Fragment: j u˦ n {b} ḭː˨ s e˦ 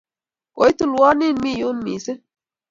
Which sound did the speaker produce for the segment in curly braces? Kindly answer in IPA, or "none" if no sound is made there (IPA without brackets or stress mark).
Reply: m